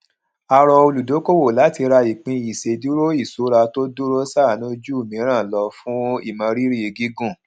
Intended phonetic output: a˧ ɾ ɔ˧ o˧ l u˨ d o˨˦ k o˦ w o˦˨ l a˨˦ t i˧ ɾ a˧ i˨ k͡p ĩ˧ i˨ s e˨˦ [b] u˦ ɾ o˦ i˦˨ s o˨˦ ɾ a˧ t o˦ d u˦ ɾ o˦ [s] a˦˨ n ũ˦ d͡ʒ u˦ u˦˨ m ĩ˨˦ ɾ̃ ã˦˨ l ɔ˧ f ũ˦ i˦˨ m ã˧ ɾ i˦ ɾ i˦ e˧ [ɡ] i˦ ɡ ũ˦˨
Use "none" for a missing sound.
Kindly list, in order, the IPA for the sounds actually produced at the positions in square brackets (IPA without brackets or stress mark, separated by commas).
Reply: d, s, ɡ